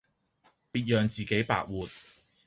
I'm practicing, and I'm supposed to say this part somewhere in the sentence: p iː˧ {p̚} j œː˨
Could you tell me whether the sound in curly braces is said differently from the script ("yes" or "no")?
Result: yes